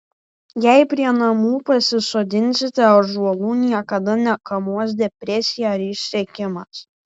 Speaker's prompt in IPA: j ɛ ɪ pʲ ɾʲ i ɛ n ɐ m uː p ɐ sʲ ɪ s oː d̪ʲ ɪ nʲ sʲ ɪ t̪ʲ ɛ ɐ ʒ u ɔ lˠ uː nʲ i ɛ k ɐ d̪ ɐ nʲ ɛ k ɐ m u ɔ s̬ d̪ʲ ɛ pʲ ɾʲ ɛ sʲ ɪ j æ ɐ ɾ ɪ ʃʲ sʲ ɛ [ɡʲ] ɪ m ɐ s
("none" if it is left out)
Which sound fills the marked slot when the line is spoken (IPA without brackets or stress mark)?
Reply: kʲ